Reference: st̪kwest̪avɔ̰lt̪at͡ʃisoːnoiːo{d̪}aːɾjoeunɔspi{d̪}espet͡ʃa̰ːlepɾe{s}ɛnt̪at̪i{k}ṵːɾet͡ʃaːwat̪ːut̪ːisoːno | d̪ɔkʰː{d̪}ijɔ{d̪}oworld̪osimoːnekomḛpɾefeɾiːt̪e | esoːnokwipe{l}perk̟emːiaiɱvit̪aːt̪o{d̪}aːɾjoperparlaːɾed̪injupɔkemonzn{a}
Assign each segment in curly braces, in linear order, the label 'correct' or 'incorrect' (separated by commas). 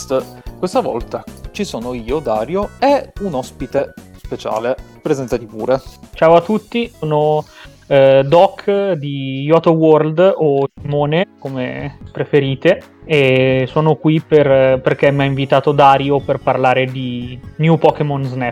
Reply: correct, incorrect, incorrect, incorrect, correct, incorrect, incorrect, correct, incorrect